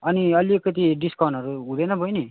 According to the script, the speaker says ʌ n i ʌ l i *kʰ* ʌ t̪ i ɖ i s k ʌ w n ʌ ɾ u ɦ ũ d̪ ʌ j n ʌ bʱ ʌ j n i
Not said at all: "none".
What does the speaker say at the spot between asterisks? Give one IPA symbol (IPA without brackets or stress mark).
k